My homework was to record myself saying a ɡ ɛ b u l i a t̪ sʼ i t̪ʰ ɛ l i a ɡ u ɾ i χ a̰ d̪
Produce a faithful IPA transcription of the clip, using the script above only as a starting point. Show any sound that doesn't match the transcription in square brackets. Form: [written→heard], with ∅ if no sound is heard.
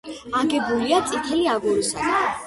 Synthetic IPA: a ɡ ɛ b u l i a t̪ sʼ i t̪ʰ ɛ l i a ɡ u ɾ i [χ→s] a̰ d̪